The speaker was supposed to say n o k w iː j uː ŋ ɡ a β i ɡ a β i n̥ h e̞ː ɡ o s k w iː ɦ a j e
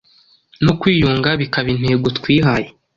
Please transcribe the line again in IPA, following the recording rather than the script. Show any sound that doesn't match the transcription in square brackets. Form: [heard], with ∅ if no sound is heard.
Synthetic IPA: n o k w iː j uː ŋ ɡ a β i [k] a β i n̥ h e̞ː ɡ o [t] k w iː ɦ a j e